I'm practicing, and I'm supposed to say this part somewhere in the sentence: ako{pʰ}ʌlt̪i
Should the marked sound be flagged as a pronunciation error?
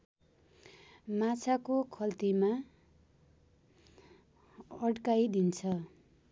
yes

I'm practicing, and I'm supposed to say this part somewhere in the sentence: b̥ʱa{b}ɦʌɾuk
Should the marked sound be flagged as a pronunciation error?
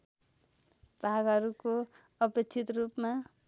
yes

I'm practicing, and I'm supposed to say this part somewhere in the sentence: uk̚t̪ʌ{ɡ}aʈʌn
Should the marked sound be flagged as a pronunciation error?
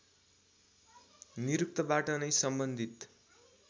yes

